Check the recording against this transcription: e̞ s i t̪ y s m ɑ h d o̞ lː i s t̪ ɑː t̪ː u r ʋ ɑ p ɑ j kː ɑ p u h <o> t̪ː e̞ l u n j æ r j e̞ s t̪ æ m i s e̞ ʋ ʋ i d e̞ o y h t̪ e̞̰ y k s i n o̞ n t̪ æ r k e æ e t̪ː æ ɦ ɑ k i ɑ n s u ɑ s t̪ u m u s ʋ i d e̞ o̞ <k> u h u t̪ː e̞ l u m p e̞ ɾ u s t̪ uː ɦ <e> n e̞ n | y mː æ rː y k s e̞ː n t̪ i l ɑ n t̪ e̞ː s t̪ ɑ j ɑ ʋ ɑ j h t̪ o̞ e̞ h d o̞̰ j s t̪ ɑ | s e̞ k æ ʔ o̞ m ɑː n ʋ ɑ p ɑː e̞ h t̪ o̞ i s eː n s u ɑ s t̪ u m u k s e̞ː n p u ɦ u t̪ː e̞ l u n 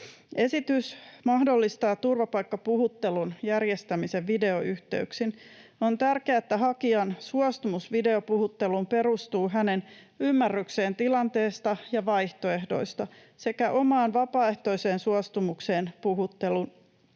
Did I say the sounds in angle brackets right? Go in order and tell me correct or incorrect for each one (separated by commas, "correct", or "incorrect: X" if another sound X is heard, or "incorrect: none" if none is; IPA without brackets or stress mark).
incorrect: u, incorrect: p, incorrect: æ